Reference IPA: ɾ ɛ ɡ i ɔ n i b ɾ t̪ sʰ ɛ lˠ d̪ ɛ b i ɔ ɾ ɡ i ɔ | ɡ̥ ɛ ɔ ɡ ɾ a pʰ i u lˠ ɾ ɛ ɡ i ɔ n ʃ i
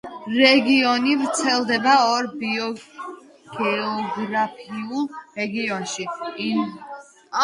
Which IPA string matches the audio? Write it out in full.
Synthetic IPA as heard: ɾ ɛ ɡ i ɔ n i v ɾ t̪ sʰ ɛ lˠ d̪ ɛ b a ɔ ɾ b i ɔ | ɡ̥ ɛ ɔ ɡ ɾ a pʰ i u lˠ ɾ ɛ ɡ i ɔ n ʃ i

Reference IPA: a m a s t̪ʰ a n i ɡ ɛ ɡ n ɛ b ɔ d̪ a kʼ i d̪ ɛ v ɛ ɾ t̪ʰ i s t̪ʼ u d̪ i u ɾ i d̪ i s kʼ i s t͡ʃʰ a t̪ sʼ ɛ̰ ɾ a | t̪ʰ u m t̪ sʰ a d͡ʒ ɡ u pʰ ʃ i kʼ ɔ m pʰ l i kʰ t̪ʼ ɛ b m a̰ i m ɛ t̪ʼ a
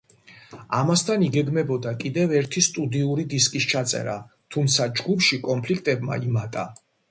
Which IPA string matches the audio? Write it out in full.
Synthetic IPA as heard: a m a s t̪ʰ a n i ɡ ɛ ɡ m ɛ b ɔ d̪ a kʼ i d̪ ɛ v ɛ ɾ t̪ʰ i s t̪ʼ u d̪ i u ɾ i d̪ i s kʼ i s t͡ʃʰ a t̪ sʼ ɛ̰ ɾ a | t̪ʰ u m t̪ sʰ a d͡ʒ ɡ u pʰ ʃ i kʼ ɔ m pʰ l i kʰ t̪ʼ ɛ b m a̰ i m a t̪ʼ a

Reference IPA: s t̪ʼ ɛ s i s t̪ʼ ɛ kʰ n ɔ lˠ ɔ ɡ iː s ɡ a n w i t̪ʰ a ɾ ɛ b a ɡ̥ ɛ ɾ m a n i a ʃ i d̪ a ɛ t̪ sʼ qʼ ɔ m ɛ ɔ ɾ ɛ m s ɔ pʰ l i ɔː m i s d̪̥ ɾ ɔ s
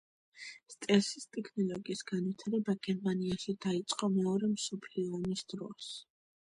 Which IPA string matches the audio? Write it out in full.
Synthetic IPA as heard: s t̪ʼ ɛ s i s t̪ʼ ɛ kʰ n ɔ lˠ ɔ ɡ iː s ɡ a n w i t̪ʰ a ɾ ɛ b a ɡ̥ ɛ ɾ m a n i a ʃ i d̪ a i t̪ sʼ qʼ ɔ m ɛ ɔ ɾ ɛ m s ɔ pʰ l i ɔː m i s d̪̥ ɾ ɔ s

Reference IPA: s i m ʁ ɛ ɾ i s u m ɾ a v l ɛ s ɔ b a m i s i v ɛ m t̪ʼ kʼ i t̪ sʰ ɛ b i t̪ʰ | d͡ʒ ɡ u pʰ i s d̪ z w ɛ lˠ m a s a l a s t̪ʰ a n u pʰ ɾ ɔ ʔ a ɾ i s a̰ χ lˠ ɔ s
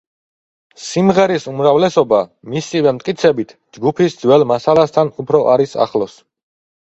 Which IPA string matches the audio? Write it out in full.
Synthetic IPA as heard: s i m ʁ ɛ ɾ i s u m ɾ a v l ɛ s ɔ b a m i s i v ɛ m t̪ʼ kʼ i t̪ sʰ ɛ b i t̪ʰ | d͡ʒ ɡ u pʰ i s d̪ z w ɛ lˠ m a s a l a s t̪ʰ a n u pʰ ɾ ɔ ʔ a ɾ i s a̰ χ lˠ ɔ s

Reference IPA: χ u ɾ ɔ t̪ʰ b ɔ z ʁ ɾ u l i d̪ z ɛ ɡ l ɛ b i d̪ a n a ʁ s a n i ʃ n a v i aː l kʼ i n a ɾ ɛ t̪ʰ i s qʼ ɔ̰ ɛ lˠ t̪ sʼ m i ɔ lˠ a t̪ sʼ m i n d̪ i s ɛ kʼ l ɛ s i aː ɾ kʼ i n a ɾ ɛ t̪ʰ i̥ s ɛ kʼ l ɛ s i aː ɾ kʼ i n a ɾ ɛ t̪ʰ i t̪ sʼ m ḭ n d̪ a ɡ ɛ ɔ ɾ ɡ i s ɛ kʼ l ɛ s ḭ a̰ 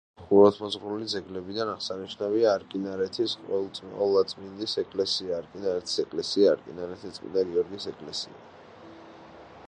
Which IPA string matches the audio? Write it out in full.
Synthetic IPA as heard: χ u ɾ ɔ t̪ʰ m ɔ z ʁ ɾ u l i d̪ z ɛ ɡ l ɛ b i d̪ a n a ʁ s a n i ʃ n a v i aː ɾ kʼ i n a ɾ ɛ t̪ʰ i s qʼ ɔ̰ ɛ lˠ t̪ sʼ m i ɔ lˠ a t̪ sʼ m i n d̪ i s ɛ kʼ l ɛ s i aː ɾ kʼ i n a ɾ ɛ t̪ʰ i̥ s ɛ kʼ l ɛ s i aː ɾ kʼ i n a ɾ ɛ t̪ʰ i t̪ sʼ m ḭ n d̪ a ɡ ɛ ɔ ɾ ɡ i s ɛ kʼ l ɛ s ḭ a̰

